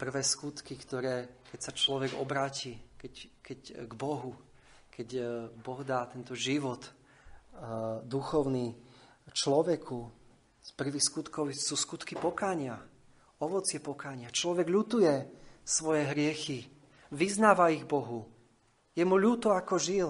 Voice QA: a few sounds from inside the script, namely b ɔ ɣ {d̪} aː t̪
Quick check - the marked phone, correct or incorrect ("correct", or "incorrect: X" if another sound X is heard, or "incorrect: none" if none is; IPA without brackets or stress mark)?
correct